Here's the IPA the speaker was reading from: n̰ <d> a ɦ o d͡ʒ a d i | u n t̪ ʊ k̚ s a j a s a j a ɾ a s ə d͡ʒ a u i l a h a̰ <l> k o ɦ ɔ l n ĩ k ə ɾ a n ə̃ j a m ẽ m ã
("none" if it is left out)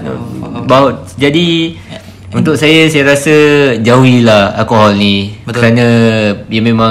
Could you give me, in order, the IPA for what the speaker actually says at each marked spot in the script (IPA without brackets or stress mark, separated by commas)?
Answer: b, l